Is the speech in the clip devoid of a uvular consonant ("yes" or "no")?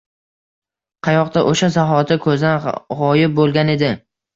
no